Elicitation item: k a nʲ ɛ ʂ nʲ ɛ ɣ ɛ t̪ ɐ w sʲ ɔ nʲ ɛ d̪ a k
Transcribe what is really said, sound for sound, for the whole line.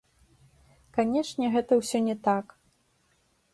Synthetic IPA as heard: k a nʲ ɛ ʂ nʲ ɛ ɣ ɛ t̪ ɐ w sʲ ɔ nʲ ɛ t̪ a k